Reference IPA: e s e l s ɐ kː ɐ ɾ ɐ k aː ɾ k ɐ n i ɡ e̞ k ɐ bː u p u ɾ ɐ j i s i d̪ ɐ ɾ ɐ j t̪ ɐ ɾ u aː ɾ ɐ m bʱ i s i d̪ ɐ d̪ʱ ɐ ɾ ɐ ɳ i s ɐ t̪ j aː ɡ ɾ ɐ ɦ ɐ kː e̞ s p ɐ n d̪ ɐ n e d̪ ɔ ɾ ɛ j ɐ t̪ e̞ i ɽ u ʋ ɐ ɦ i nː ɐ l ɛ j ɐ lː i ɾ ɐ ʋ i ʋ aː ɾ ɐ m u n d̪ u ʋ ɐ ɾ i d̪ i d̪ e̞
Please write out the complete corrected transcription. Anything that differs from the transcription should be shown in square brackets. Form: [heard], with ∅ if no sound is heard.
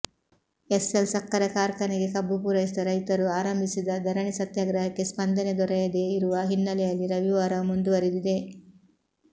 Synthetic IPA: e s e l s ɐ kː ɐ ɾ ɐ k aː ɾ k ɐ n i ɡ e̞ k ɐ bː u p u ɾ ɐ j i s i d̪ ɐ ɾ ɐ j t̪ ɐ ɾ u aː ɾ ɐ m bʱ i s i d̪ ɐ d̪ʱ ɐ ɾ ɐ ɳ i s ɐ t̪ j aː ɡ ɾ ɐ ɦ ɐ kː e̞ s p ɐ n d̪ ɐ n e d̪ ɔ ɾ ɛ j ɐ [d̪] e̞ i [ɾ] u ʋ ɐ ɦ i nː ɐ l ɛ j ɐ lː i ɾ ɐ ʋ i ʋ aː ɾ ɐ m u n d̪ u ʋ ɐ ɾ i d̪ i d̪ e̞

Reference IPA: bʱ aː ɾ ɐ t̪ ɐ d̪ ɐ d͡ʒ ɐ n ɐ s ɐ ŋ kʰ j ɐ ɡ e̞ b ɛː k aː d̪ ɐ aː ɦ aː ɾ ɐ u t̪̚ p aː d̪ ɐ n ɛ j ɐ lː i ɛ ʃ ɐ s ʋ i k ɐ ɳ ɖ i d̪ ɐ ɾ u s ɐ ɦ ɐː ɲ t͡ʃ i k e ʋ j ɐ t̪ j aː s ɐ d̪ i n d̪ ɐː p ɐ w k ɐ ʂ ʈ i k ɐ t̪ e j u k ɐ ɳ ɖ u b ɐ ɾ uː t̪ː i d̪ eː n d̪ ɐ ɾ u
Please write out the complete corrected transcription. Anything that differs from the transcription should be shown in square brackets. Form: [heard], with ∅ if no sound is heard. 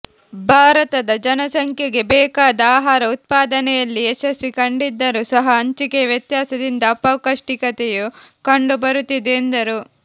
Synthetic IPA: bʱ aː ɾ ɐ t̪ ɐ d̪ ɐ d͡ʒ ɐ n ɐ s ɐ ŋ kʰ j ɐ ɡ e̞ b ɛː k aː d̪ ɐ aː ɦ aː ɾ ɐ u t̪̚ p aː d̪ ɐ n ɛ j ɐ lː i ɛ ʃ ɐ s ʋ i k ɐ ɳ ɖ i [d̪ː] ɐ ɾ u s ɐ ɦ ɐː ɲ t͡ʃ i k e ʋ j ɐ t̪ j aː s ɐ d̪ i n d̪ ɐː p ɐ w k ɐ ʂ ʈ i k ɐ t̪ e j u k ɐ ɳ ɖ u b ɐ ɾ [u] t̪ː i d̪ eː n d̪ ɐ ɾ u

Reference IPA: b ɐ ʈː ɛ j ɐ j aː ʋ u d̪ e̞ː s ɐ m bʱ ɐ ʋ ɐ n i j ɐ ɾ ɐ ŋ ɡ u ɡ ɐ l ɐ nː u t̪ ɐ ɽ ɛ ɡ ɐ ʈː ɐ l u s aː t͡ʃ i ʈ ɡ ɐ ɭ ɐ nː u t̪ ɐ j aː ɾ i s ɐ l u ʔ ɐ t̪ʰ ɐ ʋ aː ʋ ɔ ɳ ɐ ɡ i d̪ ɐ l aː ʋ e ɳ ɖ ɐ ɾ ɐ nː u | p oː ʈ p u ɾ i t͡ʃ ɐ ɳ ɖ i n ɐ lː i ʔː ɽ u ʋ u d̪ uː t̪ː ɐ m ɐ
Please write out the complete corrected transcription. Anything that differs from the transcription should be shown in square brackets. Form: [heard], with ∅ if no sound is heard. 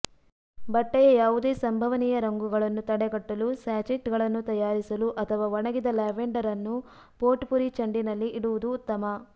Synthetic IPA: b ɐ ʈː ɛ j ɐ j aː ʋ u d̪ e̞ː s ɐ m bʱ ɐ ʋ ɐ n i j ɐ ɾ ɐ ŋ ɡ u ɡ ɐ [ɭ] ɐ nː u t̪ ɐ ɽ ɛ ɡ ɐ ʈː ɐ l u s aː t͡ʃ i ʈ ɡ ɐ ɭ ɐ nː u t̪ ɐ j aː ɾ i s ɐ l u ʔ ɐ t̪ʰ ɐ ʋ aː ʋ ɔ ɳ ɐ ɡ i d̪ ɐ l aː ʋ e ɳ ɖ ɐ ɾ ɐ nː u | p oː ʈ p u ɾ i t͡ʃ ɐ ɳ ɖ i n ɐ lː i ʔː ɽ u ʋ u d̪ uː t̪ː ɐ m ɐ

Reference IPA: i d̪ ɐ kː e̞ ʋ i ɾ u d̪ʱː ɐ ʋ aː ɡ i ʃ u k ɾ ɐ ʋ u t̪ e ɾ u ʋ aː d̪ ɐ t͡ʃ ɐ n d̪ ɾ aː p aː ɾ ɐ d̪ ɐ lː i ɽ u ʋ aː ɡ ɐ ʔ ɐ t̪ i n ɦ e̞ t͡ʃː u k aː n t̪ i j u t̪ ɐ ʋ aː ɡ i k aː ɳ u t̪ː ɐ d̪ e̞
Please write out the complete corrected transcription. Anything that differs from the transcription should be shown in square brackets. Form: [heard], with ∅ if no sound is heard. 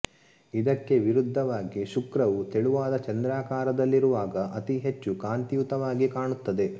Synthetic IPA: i d̪ ɐ kː e̞ ʋ i ɾ u d̪ʱː ɐ ʋ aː ɡ i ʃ u k ɾ ɐ ʋ u t̪ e [ɭ] u ʋ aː d̪ ɐ t͡ʃ ɐ n d̪ ɾ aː [k] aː ɾ ɐ d̪ ɐ lː i [ɾ] u ʋ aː ɡ ɐ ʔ ɐ t̪ i [∅] ɦ e̞ t͡ʃː u k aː n t̪ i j u t̪ ɐ ʋ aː ɡ i k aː ɳ u t̪ː ɐ d̪ e̞

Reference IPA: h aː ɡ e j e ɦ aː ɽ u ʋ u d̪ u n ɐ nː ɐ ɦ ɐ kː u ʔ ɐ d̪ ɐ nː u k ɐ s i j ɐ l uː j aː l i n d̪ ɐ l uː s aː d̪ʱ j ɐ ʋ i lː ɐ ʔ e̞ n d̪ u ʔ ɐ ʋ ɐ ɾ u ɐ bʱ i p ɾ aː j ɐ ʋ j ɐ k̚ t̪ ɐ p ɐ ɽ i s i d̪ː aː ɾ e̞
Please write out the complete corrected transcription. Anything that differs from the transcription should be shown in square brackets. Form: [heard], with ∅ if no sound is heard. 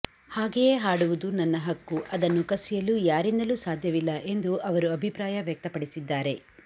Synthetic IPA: h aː ɡ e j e ɦ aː ɽ u ʋ u d̪ u n ɐ nː ɐ ɦ ɐ kː u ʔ ɐ d̪ ɐ nː u k ɐ s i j ɐ l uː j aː [ɾ] i n d̪ ɐ l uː s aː d̪ʱ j ɐ ʋ i lː ɐ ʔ e̞ n d̪ u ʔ ɐ ʋ ɐ ɾ u ɐ bʱ i p ɾ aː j ɐ ʋ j ɐ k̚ t̪ ɐ p ɐ ɽ i s i d̪ː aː ɾ e̞

